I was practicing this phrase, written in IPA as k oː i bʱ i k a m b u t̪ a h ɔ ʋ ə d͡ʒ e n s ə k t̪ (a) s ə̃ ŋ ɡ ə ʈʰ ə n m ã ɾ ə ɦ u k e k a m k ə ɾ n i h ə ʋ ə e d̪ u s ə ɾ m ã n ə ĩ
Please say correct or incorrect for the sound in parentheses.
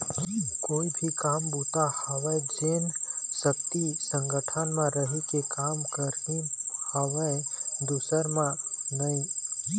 incorrect